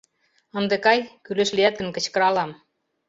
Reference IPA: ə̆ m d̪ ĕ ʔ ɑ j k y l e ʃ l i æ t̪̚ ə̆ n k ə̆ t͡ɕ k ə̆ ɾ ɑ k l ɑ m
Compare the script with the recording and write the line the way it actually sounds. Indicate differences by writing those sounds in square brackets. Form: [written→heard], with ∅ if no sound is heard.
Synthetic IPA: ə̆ [m→n] d̪ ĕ [ʔ→k] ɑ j k y l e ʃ l i æ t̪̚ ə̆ n k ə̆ t͡ɕ k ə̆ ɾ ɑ [k→∅] l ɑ m

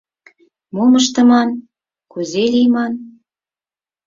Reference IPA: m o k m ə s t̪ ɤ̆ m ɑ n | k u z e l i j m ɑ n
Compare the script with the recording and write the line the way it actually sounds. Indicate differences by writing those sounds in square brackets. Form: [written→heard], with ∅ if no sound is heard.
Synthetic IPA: m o [k→∅] m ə [s→ʃ] t̪ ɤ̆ m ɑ n | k u z e l i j m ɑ n

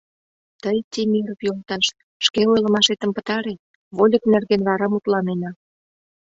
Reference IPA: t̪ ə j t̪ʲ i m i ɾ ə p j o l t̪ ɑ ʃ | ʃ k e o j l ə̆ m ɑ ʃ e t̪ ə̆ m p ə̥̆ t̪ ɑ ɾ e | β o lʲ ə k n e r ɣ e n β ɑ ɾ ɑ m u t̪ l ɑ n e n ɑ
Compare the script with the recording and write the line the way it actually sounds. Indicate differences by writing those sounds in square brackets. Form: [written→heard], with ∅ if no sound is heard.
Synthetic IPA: t̪ ə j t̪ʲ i m i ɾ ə p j o l t̪ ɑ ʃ | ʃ k e o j l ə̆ m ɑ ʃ e t̪ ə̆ m p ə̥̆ t̪ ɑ ɾ e | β o lʲ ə k n e r ɣ e n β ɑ ɾ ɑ m u t̪ l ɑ n e n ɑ

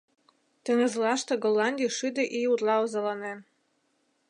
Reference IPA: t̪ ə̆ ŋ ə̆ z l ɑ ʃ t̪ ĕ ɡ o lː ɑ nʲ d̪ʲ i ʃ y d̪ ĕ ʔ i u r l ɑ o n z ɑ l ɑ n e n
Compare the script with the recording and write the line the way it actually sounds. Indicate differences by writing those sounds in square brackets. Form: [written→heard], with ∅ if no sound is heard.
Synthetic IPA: t̪ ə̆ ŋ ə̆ z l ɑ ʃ t̪ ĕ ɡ o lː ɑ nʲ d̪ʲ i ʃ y d̪ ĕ ʔ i u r l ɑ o [n→∅] z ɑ l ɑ n e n

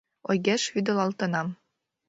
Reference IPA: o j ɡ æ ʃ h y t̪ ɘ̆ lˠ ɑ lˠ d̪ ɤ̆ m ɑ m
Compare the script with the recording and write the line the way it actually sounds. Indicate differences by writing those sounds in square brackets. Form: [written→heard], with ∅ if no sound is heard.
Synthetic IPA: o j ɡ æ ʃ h y [t̪→d̪] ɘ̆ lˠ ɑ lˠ [d̪→t̪] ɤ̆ [m→n] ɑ m

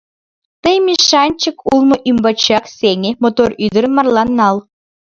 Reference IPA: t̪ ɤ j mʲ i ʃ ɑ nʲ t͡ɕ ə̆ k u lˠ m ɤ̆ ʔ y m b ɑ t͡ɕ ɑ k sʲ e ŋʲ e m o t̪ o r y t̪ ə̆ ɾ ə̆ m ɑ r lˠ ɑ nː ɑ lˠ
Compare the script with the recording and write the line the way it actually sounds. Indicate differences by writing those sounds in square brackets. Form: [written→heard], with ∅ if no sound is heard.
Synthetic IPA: t̪ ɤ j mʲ i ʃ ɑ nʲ t͡ɕ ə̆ k u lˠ m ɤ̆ ʔ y m b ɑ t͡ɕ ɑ k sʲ e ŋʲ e m o t̪ o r y [t̪→d̪] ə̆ ɾ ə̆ m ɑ r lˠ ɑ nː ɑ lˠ

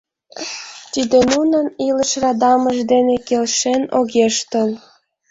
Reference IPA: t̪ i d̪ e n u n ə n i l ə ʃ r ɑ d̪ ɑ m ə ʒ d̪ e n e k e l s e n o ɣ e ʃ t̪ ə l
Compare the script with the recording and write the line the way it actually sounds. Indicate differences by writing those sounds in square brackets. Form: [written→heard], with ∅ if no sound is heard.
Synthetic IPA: t̪ i d̪ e n u n ə n i l ə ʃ r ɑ d̪ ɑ m ə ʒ d̪ e n e k e l [s→ʃ] e n o ɣ e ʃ t̪ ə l

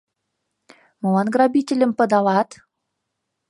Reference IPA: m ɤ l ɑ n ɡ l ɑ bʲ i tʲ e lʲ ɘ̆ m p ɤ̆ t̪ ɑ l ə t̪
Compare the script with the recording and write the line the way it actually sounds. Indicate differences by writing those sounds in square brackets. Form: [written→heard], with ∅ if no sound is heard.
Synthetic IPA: m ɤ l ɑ n ɡ [l→r] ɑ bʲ i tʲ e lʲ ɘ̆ m p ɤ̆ [t̪→d̪] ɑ l [ə→ɑ] t̪

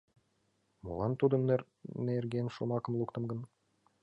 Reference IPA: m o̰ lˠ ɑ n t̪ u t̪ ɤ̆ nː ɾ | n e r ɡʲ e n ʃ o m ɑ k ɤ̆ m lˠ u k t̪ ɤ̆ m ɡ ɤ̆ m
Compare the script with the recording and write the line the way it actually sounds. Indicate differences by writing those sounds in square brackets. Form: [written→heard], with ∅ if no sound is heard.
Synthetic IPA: m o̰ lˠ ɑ n t̪ u [t̪→d̪] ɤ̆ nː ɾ | n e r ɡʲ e n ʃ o m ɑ k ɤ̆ m lˠ u k t̪ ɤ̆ m ɡ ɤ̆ [m→n]

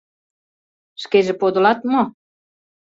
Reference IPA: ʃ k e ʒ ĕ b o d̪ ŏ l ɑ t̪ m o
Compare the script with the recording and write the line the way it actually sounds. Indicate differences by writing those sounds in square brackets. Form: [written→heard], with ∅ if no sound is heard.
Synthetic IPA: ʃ k e ʒ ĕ [b→p] o d̪ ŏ l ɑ t̪ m o

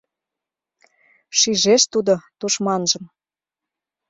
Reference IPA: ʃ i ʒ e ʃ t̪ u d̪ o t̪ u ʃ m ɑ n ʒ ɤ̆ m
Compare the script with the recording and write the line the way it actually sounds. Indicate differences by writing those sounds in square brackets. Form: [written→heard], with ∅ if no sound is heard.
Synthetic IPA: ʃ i ʒ e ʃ t̪ u d̪ o t̪ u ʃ m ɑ n ʒ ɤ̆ m

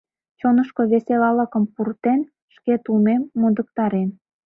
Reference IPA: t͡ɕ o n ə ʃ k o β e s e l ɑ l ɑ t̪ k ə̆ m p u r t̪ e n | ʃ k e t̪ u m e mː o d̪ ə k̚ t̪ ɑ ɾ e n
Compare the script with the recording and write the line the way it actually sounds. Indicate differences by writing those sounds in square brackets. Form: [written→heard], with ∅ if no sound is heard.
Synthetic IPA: t͡ɕ o n ə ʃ k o β e s e l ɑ l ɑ [t̪→∅] k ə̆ m p u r t̪ e n | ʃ k e t̪ u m e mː o d̪ ə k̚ t̪ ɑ ɾ e n

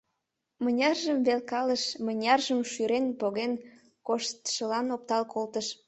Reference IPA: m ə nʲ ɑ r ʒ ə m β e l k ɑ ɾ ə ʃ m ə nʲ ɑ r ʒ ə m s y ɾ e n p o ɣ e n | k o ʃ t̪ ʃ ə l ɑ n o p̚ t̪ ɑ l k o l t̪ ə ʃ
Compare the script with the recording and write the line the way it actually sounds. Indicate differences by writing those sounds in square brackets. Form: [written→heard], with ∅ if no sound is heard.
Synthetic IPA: m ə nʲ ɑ r ʒ ə m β e l k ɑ [ɾ→l] ə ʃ m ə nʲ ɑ r ʒ ə m [s→ʃ] y ɾ e n p o ɣ e n | k o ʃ t̪ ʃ ə l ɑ n o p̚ t̪ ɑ l k o l t̪ ə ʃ

